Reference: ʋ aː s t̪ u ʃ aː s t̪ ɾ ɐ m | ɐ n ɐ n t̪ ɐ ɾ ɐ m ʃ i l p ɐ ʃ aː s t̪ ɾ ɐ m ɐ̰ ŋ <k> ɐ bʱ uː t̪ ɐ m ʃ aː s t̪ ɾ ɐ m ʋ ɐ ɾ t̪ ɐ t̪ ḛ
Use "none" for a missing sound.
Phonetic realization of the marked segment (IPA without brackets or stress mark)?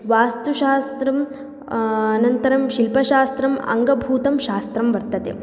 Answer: ɡ